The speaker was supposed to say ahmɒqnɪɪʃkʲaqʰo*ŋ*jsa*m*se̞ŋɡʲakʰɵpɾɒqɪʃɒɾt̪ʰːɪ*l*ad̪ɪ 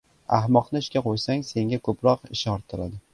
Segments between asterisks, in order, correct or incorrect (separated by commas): incorrect, incorrect, incorrect